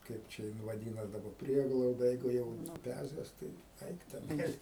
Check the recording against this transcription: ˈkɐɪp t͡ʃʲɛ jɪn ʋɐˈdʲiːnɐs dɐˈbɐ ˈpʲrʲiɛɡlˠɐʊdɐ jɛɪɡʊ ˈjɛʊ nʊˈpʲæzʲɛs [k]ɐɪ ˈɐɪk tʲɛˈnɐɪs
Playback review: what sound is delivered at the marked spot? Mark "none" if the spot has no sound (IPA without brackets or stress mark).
t